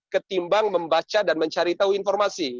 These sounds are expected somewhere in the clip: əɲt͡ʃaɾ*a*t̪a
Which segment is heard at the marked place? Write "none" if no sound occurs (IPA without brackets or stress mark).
i